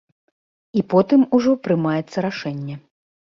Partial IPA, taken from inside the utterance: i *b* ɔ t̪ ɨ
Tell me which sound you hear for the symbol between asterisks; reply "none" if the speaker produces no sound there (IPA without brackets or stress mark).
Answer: p